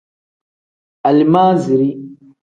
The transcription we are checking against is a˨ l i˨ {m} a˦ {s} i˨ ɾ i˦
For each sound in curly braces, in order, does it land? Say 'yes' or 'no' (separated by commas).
yes, no